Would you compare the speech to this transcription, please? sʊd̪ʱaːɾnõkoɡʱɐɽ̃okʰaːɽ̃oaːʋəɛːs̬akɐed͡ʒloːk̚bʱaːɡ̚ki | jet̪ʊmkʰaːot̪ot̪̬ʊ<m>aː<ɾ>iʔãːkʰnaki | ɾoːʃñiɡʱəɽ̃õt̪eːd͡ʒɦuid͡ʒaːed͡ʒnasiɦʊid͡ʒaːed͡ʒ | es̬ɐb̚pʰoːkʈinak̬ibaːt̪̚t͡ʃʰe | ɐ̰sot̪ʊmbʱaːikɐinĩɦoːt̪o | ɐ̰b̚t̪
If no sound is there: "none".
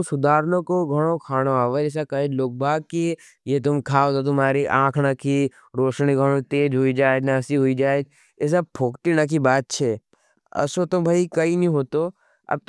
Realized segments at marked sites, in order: m, ɾ

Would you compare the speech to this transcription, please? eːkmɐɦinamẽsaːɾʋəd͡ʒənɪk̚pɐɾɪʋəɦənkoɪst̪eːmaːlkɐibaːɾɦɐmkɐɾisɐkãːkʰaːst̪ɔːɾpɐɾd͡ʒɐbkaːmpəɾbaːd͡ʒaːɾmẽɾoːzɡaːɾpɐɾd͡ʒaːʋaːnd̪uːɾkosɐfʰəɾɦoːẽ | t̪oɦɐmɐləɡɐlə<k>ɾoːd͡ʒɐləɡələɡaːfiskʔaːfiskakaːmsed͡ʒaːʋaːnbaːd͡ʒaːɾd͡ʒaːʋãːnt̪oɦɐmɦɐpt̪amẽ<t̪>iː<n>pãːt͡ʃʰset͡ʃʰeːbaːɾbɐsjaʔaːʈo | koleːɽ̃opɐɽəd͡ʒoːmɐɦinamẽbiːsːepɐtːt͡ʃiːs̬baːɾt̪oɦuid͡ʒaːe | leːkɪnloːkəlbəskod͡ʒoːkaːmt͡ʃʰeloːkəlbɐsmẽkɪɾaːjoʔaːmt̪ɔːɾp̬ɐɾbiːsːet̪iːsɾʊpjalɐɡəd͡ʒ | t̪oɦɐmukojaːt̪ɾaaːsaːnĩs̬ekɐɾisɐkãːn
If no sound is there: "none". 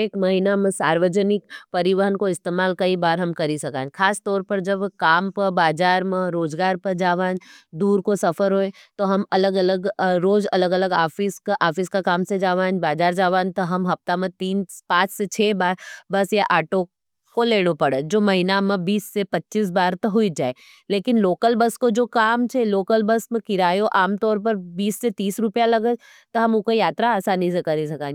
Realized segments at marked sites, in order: ɡ, t̪, n

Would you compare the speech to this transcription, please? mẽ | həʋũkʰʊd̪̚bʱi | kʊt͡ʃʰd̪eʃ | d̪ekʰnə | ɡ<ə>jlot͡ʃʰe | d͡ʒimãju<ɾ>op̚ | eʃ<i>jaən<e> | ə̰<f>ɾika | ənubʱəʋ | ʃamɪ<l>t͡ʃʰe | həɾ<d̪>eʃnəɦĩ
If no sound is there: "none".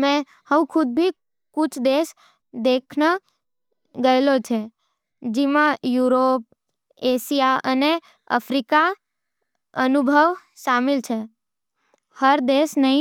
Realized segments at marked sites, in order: ə, ɾ, i, e, f, l, d̪

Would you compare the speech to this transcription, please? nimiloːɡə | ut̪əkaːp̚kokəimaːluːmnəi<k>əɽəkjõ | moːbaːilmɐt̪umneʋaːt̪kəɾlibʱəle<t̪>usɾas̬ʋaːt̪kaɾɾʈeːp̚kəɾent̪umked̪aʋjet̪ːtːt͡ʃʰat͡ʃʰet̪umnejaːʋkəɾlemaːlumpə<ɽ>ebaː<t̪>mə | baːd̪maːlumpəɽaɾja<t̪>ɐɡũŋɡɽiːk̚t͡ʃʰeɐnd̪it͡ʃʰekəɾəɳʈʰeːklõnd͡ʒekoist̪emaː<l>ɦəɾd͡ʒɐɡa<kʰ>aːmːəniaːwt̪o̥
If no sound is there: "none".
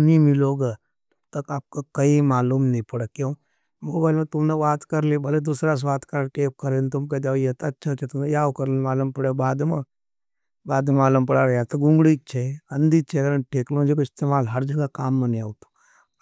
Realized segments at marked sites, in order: p, d̪, ɽ, d̪, t̪, l, k

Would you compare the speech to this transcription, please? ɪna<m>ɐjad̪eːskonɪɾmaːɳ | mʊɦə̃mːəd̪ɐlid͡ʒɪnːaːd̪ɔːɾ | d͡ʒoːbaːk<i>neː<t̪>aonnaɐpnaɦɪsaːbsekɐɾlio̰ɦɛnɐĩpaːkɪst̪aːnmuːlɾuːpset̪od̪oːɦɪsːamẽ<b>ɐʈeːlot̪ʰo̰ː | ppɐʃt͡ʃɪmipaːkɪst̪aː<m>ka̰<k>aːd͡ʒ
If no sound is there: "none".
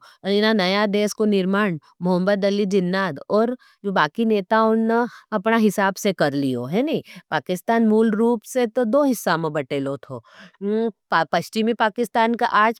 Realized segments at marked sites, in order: n, i, t̪, b, n, ʔ

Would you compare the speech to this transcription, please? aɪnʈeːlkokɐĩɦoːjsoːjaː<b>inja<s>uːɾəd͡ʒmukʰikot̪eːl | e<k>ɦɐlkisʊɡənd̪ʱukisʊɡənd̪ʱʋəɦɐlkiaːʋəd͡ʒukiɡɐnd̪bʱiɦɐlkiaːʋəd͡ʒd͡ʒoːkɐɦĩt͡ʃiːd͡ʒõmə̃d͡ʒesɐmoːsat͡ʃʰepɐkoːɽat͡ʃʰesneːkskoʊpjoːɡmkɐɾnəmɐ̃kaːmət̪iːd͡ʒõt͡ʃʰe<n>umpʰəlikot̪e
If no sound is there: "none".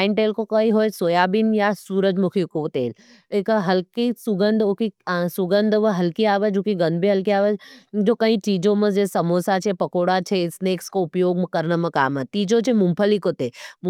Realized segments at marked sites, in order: b, s, k, m

